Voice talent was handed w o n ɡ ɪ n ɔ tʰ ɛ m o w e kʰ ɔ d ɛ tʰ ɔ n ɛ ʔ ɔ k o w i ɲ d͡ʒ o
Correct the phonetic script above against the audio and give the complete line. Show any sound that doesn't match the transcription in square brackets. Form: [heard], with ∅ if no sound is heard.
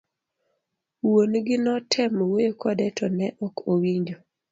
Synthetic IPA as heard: w o n ɡ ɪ n ɔ tʰ ɛ m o w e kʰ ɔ d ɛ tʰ ɔ n ɛ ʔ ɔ k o w i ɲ d͡ʒ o